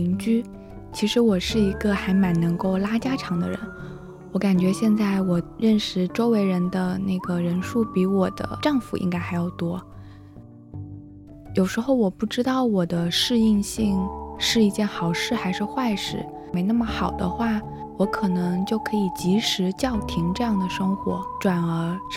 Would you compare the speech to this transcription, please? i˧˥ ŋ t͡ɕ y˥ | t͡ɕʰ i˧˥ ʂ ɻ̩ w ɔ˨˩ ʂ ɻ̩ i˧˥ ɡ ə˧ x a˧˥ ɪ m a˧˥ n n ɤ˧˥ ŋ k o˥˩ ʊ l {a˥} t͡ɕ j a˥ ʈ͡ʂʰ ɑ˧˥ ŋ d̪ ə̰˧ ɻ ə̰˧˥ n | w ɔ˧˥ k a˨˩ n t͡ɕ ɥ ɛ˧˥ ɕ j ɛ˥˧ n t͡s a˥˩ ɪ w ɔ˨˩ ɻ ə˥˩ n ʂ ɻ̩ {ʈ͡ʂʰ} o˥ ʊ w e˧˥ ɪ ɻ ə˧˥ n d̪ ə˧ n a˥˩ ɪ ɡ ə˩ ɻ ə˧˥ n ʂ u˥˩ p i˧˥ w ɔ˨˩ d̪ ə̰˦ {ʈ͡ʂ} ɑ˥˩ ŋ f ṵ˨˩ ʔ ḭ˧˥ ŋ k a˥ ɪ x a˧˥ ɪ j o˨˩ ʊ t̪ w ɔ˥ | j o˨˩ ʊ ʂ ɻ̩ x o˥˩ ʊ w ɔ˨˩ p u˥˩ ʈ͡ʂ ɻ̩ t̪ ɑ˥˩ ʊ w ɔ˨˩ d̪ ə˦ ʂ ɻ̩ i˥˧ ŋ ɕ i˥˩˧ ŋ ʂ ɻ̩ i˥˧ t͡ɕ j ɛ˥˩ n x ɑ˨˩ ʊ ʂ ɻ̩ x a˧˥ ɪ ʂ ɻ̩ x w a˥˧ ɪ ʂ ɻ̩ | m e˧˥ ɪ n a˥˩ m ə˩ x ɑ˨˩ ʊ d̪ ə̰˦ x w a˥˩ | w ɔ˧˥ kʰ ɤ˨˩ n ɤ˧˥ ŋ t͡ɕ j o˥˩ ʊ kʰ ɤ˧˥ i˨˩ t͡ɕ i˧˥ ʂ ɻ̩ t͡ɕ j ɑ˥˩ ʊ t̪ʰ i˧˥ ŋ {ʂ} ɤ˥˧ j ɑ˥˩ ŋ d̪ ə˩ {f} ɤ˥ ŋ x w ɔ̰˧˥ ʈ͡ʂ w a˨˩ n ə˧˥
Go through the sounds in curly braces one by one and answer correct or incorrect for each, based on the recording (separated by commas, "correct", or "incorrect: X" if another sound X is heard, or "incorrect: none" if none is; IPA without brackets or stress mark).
correct, incorrect: ʈ͡ʂ, correct, incorrect: ʈ͡ʂ, incorrect: ʂ